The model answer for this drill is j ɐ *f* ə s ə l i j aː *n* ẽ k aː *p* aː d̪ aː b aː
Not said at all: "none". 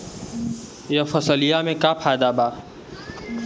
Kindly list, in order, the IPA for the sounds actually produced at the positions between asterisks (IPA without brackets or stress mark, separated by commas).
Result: f, m, pʰ